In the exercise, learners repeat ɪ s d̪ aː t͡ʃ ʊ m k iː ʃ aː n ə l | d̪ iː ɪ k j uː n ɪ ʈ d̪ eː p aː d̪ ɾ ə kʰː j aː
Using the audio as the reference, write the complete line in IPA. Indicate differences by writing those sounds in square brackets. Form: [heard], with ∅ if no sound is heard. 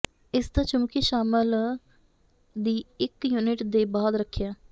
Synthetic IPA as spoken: ɪ s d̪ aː t͡ʃ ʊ m k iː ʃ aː [m] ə l | d̪ iː ɪ k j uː n ɪ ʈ d̪ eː [b] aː d̪ ɾ ə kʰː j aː